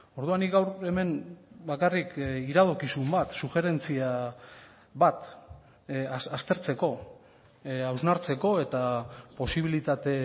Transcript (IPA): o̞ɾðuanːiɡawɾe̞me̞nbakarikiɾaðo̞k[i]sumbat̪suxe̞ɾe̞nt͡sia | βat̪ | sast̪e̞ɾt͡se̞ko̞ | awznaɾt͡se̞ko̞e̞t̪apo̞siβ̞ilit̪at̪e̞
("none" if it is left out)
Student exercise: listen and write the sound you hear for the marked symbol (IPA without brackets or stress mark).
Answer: i